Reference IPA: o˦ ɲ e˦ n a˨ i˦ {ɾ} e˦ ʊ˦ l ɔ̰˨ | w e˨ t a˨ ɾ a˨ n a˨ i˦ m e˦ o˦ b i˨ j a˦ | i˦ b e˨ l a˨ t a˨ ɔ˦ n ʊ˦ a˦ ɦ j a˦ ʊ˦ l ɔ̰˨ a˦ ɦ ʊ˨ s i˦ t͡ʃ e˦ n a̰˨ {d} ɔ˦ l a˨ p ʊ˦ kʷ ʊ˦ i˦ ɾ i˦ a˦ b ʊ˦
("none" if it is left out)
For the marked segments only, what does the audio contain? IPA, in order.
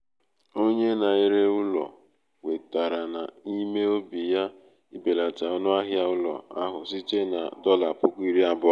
ɾ, d

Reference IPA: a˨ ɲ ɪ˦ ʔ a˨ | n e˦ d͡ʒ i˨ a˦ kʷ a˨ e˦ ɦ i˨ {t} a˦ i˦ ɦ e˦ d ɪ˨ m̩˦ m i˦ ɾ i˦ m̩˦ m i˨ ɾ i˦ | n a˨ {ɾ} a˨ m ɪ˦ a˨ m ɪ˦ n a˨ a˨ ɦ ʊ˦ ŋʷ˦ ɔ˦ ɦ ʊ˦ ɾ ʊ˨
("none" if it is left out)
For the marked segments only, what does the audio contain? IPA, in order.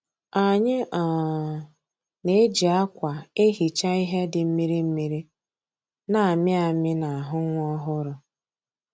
t͡ʃ, none

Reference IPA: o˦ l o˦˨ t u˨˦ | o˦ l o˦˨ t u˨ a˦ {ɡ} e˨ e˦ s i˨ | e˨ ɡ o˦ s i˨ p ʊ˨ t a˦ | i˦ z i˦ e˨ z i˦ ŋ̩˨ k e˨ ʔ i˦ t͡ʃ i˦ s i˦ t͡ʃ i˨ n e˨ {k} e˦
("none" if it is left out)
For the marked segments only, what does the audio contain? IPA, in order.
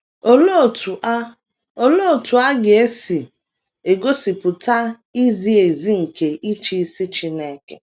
ɡ, k

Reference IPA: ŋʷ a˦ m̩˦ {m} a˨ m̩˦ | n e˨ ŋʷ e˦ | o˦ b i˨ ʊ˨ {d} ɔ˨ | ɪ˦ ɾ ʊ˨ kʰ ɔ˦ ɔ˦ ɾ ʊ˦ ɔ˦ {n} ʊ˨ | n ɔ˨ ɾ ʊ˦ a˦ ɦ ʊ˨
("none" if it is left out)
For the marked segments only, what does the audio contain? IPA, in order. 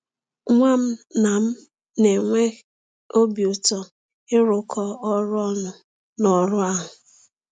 n, t, n

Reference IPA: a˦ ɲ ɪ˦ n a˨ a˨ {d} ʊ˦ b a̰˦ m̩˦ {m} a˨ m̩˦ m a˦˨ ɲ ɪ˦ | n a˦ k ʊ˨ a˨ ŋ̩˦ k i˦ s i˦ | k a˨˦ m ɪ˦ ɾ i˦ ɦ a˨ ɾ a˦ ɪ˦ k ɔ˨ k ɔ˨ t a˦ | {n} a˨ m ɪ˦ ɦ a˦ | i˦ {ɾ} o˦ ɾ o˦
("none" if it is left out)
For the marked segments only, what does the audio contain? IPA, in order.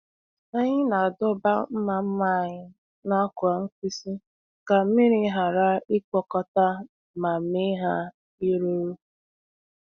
d, m, m, ɾ

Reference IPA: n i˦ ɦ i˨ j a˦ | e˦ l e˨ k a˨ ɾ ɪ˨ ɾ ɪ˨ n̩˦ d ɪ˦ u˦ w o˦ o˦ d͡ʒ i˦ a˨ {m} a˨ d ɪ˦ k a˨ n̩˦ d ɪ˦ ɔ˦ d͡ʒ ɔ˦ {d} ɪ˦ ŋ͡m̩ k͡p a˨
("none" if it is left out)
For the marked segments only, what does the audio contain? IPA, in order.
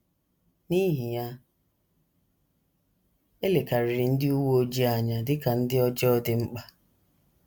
ɲ, d

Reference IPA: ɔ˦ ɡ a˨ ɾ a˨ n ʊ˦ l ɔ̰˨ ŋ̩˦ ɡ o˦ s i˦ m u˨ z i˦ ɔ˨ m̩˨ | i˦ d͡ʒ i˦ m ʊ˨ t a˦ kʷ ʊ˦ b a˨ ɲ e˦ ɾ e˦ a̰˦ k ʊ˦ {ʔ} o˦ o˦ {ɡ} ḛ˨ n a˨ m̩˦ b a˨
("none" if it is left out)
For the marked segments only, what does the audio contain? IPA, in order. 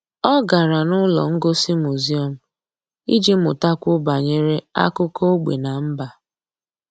k, ɡ͡b

